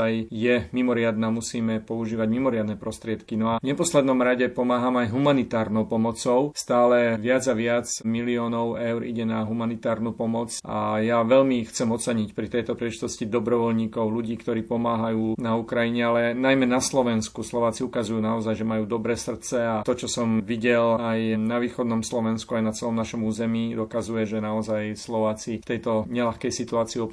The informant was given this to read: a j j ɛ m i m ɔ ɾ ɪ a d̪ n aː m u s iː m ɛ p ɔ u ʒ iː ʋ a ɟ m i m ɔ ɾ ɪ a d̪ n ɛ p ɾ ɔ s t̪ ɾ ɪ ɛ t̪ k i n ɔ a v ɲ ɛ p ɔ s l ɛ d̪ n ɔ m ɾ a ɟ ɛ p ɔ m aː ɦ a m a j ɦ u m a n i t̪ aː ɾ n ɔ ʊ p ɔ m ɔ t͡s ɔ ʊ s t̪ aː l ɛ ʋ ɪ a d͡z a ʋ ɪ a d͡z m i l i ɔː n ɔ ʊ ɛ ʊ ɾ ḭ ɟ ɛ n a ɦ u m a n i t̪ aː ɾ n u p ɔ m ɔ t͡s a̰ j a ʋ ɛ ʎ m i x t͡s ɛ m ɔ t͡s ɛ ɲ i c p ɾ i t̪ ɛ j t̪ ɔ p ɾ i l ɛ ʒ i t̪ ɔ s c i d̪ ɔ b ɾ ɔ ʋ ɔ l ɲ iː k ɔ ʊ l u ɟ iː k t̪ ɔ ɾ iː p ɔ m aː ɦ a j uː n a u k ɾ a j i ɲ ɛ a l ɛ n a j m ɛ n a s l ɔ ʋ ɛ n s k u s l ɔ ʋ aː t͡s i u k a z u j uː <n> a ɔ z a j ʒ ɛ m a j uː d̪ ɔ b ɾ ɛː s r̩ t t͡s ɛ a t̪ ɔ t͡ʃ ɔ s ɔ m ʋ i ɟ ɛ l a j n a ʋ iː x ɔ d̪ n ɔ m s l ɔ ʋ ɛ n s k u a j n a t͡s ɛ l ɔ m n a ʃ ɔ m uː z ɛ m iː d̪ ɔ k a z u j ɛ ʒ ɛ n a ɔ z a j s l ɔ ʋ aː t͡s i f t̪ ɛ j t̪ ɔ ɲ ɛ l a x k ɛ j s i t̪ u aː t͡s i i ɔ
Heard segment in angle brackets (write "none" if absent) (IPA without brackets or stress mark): n